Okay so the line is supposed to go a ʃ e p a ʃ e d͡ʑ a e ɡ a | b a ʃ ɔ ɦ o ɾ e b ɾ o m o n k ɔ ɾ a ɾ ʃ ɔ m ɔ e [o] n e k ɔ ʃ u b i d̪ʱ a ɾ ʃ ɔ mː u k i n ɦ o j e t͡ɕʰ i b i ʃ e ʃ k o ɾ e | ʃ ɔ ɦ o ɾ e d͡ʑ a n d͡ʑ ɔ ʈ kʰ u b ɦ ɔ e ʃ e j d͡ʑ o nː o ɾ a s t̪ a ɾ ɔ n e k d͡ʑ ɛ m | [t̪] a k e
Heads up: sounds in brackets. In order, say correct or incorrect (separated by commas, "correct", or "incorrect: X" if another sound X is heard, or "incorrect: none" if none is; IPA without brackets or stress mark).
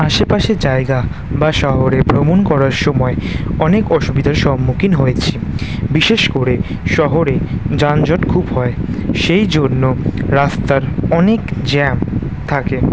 incorrect: ɔ, incorrect: t̪ʰ